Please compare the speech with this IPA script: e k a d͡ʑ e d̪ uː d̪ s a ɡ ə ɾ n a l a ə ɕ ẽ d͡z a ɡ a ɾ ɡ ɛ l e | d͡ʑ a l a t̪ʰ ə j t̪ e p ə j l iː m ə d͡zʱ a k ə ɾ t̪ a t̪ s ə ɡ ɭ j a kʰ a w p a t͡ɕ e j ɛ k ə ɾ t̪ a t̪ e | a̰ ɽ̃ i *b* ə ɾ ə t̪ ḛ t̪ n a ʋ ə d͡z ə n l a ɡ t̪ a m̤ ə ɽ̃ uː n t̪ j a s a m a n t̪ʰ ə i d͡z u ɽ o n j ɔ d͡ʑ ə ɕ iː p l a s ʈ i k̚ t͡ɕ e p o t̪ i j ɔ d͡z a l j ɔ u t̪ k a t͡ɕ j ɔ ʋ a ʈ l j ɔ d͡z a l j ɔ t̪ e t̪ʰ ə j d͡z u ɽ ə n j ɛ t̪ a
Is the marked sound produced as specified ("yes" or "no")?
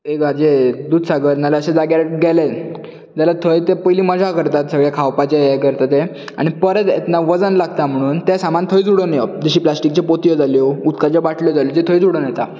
no